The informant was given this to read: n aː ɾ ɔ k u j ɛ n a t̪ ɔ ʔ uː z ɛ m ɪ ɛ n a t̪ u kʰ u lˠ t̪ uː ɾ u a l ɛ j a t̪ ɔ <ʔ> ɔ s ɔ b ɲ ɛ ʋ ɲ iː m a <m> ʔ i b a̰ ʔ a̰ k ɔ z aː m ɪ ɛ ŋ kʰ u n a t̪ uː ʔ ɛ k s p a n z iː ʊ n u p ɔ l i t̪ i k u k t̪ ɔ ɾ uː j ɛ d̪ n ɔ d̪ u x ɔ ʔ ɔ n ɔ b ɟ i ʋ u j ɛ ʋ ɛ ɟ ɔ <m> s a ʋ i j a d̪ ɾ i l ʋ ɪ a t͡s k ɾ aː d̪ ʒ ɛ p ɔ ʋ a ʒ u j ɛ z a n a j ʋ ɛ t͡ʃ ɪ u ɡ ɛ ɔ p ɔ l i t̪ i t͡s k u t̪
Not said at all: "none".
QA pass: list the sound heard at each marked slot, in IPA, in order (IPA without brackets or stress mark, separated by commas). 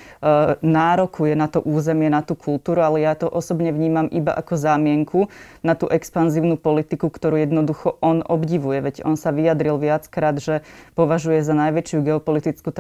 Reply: ʔ, m, n